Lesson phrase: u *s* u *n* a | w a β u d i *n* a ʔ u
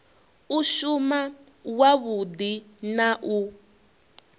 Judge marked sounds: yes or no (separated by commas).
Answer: no, no, yes